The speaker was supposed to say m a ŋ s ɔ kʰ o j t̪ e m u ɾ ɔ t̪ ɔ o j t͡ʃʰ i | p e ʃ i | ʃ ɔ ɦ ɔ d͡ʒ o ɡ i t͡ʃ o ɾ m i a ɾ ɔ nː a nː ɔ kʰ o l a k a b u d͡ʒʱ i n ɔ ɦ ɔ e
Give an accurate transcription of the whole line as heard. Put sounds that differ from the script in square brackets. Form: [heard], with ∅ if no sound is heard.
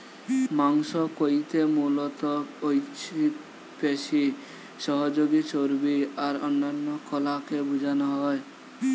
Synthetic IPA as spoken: m a ŋ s ɔ [k] o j t̪ e m u [l] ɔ t̪ ɔ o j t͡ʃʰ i | p e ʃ i | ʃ ɔ ɦ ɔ d͡ʒ o ɡ i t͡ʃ o ɾ [b] i a ɾ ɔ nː a nː ɔ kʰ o l a k [e] b u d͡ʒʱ [a] n ɔ ɦ ɔ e